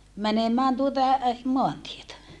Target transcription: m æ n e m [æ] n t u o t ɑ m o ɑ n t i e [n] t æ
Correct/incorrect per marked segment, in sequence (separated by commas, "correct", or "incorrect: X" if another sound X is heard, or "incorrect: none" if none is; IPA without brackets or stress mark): incorrect: æː, incorrect: none